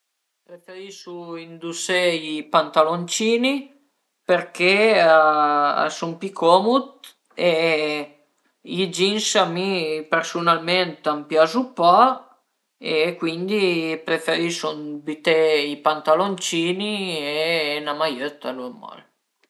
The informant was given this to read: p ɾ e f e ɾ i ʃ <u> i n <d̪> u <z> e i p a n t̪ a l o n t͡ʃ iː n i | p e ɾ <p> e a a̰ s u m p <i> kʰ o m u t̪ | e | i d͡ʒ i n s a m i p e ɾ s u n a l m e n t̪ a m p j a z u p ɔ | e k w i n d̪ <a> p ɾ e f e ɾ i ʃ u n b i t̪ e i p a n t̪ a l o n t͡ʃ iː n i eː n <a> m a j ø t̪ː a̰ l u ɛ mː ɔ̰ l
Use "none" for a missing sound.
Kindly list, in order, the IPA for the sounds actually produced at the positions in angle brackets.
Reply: u, d̪, s, k, i, i, a

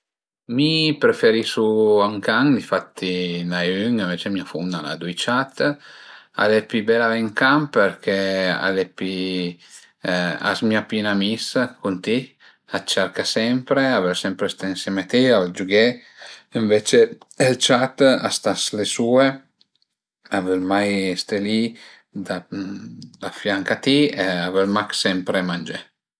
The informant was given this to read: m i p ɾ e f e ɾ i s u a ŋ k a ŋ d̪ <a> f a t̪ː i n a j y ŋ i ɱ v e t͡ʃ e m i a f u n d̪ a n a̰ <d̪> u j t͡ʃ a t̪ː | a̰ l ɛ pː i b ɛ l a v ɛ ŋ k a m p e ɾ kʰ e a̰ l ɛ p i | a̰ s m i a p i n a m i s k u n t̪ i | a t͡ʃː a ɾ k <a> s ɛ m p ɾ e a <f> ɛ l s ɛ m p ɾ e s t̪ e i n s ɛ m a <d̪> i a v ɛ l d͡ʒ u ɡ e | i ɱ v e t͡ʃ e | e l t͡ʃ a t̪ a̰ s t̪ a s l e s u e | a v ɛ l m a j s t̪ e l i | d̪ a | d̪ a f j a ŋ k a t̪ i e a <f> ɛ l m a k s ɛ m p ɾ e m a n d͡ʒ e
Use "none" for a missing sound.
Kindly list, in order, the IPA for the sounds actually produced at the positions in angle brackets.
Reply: i, d̪, a, v, t̪, v

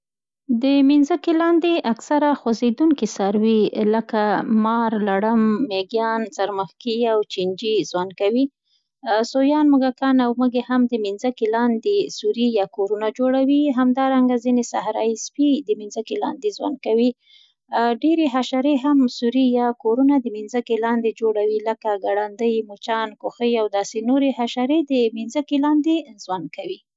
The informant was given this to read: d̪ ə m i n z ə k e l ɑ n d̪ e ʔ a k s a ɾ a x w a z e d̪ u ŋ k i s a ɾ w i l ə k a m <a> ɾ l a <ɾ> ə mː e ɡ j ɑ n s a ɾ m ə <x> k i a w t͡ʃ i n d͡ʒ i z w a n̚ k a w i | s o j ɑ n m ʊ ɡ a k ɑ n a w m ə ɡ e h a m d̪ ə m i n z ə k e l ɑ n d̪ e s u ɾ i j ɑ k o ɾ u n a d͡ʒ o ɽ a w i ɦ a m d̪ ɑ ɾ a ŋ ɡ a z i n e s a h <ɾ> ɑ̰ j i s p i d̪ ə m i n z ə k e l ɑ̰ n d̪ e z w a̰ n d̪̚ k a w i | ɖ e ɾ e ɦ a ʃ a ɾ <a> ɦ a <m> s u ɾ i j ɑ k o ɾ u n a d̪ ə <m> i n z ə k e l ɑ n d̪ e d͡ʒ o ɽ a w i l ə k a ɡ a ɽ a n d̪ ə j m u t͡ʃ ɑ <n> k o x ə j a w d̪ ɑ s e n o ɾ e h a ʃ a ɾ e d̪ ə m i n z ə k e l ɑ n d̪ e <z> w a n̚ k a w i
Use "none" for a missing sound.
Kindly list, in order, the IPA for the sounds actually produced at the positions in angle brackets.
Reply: ɑ, ɽ, x, ɾ, e, m, m, n, z

